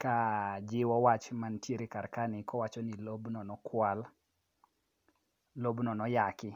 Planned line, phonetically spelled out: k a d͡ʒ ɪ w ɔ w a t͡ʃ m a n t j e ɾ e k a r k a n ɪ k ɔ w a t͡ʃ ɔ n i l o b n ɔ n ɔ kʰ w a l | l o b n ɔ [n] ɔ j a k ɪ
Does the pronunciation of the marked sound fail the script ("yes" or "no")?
no